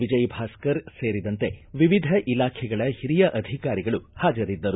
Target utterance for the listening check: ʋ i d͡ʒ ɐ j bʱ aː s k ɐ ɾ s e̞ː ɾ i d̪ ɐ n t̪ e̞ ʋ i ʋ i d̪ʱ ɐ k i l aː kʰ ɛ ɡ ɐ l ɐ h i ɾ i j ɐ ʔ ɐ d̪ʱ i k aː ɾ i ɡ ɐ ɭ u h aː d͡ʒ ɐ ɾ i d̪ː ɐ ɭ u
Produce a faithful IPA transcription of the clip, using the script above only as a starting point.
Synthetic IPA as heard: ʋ i d͡ʒ ɐ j bʱ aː s k ɐ ɾ s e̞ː ɾ i d̪ ɐ n t̪ e̞ ʋ i ʋ i d̪ʱ ɐ ʔ i l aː kʰ ɛ ɡ ɐ ɭ ɐ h i ɾ i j ɐ ʔ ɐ d̪ʱ i k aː ɾ i ɡ ɐ ɭ u h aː d͡ʒ ɐ ɾ i d̪ː ɐ ɾ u